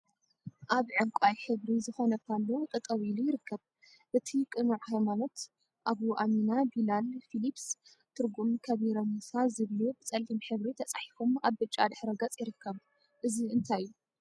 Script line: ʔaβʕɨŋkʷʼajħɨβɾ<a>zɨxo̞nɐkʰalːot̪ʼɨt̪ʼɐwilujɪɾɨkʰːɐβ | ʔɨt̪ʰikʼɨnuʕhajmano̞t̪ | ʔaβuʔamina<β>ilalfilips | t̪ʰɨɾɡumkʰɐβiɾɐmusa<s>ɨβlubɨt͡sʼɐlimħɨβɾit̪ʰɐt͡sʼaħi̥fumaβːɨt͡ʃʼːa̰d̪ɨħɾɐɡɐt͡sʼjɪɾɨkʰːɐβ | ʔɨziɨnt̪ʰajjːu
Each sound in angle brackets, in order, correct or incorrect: incorrect: i, incorrect: b, incorrect: z

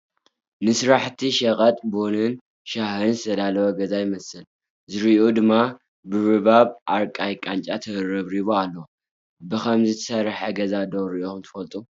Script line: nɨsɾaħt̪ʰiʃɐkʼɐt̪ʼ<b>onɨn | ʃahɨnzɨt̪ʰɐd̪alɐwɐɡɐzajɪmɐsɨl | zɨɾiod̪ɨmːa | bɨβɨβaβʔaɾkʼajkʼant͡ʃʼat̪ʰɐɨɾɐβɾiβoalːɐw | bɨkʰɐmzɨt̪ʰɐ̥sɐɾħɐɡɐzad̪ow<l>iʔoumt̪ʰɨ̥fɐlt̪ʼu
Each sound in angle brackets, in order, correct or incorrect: correct, incorrect: ɾ

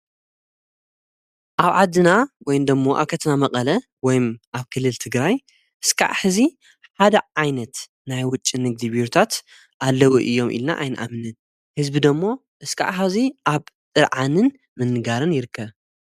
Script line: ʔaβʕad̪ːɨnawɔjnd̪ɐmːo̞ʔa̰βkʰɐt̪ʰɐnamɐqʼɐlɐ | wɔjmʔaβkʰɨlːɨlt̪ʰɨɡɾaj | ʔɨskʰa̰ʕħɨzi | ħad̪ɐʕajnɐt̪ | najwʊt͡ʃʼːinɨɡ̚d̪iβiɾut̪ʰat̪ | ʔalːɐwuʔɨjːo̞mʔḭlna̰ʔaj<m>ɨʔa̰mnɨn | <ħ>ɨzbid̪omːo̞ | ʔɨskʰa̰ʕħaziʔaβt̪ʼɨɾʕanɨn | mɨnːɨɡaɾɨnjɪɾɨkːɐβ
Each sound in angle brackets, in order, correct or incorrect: incorrect: n, incorrect: h

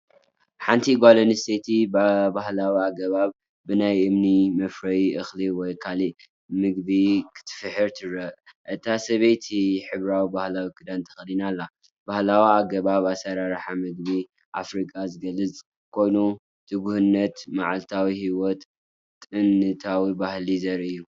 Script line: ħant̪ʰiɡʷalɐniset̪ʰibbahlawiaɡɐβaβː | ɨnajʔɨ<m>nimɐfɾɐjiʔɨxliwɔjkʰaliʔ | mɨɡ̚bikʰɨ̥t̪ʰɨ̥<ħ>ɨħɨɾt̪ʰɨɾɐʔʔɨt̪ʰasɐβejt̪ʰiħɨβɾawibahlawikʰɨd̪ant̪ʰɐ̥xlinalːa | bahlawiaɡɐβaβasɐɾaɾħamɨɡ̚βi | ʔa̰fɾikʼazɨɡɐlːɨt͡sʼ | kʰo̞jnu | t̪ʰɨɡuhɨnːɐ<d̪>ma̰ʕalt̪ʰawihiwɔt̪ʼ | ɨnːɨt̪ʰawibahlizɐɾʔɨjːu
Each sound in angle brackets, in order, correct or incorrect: correct, incorrect: f, incorrect: t̪

